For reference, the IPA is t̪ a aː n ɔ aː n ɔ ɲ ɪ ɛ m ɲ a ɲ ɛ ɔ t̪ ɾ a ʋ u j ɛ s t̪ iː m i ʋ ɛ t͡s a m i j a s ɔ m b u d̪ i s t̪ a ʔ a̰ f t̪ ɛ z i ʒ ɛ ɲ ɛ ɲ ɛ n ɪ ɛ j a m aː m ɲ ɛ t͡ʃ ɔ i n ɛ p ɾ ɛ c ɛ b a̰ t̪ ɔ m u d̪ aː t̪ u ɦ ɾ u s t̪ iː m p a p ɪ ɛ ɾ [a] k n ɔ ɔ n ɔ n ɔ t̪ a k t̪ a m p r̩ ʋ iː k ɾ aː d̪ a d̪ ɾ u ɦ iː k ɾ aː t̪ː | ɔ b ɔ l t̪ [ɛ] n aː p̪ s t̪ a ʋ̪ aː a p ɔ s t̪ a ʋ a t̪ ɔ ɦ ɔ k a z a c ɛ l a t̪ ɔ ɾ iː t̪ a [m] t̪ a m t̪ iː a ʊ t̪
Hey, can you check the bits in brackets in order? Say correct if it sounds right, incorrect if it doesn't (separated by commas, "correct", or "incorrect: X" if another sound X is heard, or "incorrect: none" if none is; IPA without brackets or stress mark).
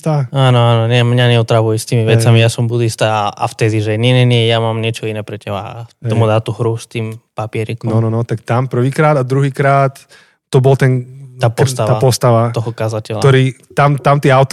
incorrect: i, correct, correct